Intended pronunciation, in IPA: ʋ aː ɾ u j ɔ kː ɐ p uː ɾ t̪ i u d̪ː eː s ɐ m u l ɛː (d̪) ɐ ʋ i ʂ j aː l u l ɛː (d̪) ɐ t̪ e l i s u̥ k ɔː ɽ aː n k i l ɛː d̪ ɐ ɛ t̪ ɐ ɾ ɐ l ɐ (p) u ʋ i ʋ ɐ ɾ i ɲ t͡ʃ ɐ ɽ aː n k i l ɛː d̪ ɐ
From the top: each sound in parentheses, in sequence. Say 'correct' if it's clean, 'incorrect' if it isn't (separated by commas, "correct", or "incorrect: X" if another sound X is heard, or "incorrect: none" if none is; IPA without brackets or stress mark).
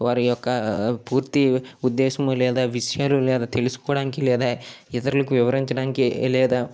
correct, correct, incorrect: k